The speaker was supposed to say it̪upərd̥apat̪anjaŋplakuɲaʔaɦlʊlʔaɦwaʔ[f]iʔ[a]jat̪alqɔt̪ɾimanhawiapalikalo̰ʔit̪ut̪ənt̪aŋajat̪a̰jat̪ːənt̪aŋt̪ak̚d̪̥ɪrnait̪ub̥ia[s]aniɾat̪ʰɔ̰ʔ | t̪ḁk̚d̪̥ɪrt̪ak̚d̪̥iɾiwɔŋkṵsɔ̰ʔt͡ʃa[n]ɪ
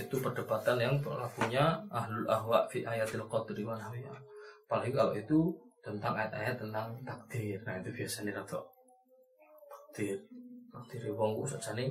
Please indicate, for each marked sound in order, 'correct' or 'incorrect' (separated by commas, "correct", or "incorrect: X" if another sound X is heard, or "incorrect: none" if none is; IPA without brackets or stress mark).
correct, correct, correct, correct